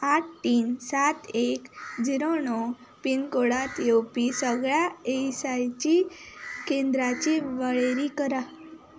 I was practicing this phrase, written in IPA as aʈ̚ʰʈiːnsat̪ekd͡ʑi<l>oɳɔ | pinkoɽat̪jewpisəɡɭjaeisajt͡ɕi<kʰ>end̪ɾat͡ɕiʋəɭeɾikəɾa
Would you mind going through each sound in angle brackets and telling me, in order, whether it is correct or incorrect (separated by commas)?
incorrect, incorrect